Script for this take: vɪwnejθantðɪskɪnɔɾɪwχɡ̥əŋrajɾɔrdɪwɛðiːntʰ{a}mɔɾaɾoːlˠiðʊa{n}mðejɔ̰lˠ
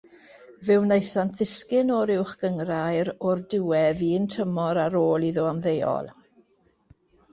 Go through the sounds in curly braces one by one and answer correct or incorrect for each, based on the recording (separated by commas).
incorrect, incorrect